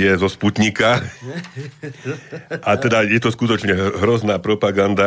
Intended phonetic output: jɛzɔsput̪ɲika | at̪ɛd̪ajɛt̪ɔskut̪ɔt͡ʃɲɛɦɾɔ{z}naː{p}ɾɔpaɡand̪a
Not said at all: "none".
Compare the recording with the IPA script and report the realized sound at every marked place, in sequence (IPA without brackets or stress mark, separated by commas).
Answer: z, p